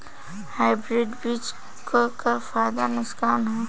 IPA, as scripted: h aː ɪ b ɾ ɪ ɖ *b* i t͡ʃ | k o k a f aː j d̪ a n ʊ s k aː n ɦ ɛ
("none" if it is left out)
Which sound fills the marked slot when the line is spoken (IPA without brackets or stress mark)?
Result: b